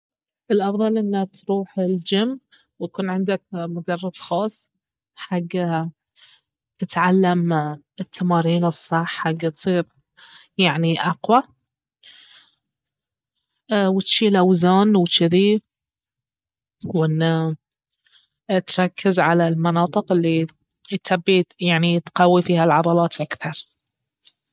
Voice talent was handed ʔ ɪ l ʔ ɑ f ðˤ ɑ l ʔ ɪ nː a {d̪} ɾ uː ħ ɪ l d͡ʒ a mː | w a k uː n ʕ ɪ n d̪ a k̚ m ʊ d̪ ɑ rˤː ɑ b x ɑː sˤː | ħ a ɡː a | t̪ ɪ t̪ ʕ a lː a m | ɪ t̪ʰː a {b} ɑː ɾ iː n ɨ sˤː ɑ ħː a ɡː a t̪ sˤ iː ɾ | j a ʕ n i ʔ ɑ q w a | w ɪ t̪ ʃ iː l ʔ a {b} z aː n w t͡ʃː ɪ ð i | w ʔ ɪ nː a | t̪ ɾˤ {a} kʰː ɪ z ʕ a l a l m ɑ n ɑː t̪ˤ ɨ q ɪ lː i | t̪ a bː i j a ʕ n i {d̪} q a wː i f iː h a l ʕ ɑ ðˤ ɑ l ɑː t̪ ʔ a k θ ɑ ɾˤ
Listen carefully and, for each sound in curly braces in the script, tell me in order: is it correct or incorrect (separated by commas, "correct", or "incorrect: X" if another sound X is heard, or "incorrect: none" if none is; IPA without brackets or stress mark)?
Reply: incorrect: t̪, incorrect: m, incorrect: w, incorrect: ɑ, incorrect: t̪